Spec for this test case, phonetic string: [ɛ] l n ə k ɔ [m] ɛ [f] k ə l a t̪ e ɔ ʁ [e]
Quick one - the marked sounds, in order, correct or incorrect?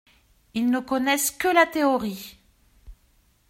incorrect: i, incorrect: n, incorrect: s, incorrect: i

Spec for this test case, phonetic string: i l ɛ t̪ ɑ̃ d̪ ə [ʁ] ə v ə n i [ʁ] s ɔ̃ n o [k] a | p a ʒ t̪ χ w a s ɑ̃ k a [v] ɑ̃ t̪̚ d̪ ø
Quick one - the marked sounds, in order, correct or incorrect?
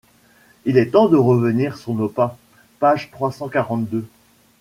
correct, correct, incorrect: p, incorrect: ʁ

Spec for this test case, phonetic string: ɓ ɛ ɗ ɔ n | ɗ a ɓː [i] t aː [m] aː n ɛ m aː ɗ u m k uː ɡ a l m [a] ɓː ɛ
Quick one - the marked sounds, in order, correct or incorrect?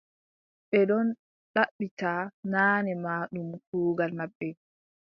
correct, incorrect: n, correct

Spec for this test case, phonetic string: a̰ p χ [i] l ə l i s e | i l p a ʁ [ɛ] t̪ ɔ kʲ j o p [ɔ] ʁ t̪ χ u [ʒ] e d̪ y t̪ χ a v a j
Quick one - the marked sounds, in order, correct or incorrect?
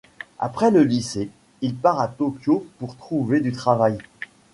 incorrect: ɛ, incorrect: a, incorrect: u, incorrect: v

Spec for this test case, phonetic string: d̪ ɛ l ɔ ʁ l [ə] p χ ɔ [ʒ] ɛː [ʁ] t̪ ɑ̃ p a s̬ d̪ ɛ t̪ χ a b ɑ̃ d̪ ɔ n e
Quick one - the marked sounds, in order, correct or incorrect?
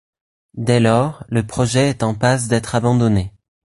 correct, correct, incorrect: none

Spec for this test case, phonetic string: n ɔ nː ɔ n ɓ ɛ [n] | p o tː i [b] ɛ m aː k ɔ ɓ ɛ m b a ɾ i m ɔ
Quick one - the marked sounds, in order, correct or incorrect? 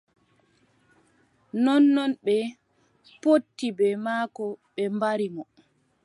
incorrect: none, correct

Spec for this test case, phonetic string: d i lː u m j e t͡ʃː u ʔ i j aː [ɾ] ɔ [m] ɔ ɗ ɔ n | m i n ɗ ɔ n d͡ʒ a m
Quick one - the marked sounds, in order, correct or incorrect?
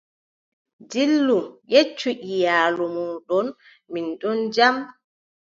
incorrect: l, correct

